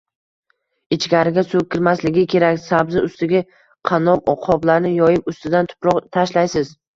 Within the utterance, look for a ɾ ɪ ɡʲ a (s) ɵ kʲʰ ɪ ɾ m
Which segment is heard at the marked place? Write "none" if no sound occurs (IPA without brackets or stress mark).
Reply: s